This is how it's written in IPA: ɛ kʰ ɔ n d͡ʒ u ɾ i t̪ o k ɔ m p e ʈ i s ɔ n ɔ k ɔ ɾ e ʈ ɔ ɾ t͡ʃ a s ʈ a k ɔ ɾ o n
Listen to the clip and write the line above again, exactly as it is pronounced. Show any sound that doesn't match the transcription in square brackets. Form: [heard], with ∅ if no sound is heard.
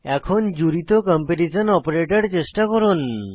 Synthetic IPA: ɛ kʰ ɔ n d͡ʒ u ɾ i t̪ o k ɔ m p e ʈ i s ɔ n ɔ [p] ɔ ɾ e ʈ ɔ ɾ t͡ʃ [e] s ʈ a k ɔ ɾ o n